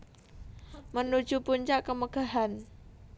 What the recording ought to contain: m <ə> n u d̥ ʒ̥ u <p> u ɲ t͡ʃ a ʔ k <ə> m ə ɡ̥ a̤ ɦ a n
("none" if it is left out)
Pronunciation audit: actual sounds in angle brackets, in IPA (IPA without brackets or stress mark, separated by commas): ə, p, ə